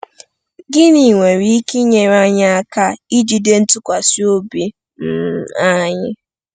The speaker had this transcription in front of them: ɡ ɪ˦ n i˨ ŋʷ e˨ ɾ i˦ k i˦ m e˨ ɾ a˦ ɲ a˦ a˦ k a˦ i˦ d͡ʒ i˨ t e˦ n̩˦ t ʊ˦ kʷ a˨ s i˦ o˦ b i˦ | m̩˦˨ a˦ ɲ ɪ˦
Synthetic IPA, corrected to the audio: ɡ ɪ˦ n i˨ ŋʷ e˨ ɾ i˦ k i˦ ɲ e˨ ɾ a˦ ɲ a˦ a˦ k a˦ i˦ d͡ʒ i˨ d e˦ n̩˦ t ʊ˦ kʷ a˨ s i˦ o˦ b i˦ | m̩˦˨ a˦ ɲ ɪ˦